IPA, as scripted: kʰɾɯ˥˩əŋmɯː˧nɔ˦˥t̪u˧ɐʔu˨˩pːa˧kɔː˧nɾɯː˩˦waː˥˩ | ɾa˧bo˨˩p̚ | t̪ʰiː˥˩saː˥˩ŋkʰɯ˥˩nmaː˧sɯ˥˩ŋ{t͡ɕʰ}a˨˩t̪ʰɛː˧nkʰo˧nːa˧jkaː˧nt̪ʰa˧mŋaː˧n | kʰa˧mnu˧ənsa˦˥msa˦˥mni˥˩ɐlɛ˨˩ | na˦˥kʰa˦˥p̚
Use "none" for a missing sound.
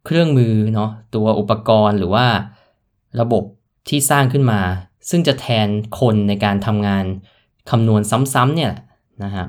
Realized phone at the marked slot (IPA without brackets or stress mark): t͡ɕ